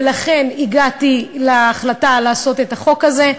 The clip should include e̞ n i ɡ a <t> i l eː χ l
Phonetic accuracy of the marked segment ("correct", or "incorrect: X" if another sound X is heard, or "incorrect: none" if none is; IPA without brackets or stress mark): correct